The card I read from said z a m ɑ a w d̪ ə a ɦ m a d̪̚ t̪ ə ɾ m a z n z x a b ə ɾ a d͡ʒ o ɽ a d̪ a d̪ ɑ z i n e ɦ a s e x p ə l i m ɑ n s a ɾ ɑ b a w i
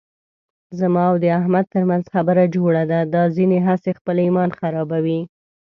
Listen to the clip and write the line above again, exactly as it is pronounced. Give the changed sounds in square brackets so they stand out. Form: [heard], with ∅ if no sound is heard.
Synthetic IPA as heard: z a m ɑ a w d̪ ə a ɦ m a d̪̚ t̪ ə ɾ m a [∅] n z x a b ə ɾ a d͡ʒ o ɽ a d̪ a d̪ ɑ z i n e ɦ a s e x p ə l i m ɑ n [x] a ɾ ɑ b a w i